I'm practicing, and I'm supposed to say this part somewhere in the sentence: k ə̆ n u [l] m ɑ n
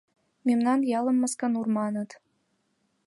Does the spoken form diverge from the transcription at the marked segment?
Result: yes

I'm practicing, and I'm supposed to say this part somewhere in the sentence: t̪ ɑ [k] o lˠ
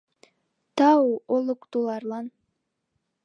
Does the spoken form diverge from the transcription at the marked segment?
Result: yes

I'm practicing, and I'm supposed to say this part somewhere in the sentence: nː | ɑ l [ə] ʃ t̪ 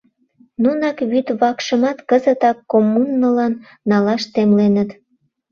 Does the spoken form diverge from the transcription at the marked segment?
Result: yes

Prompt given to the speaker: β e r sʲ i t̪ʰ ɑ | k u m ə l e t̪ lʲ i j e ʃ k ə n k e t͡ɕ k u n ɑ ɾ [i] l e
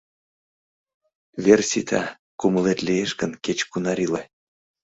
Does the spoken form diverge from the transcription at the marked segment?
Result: no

